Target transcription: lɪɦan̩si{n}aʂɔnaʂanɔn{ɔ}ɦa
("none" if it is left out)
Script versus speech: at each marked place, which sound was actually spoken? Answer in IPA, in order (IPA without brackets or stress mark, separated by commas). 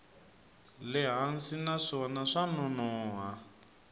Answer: n, ɔː